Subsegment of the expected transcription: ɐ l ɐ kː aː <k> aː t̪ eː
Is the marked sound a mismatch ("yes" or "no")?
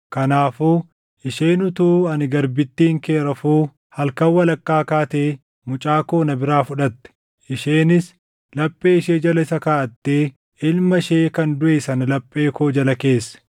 no